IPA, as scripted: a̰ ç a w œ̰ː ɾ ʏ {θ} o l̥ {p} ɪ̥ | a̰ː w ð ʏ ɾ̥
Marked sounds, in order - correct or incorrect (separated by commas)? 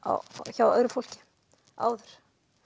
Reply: incorrect, incorrect